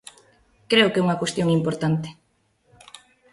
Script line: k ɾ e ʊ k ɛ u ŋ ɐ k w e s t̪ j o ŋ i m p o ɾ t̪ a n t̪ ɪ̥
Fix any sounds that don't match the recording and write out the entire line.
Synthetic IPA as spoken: k ɾ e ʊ k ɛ u ŋ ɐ k w e s t̪ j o ŋ i m p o ɾ t̪ a n t̪ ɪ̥